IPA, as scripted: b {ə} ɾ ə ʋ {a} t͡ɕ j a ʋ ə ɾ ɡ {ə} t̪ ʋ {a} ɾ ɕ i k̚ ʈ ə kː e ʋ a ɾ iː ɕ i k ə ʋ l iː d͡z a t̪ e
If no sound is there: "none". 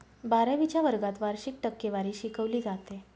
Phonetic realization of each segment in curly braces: a, i, a, a

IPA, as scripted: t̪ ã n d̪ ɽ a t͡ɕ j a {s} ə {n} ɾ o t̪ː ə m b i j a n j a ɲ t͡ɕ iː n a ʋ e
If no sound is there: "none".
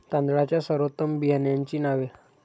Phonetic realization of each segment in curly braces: s, none

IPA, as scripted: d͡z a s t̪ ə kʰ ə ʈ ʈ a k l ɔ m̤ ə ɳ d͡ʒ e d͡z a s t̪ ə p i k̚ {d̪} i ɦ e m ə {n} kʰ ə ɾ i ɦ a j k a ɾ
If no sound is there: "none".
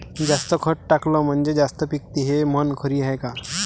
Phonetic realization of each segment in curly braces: t̪, n

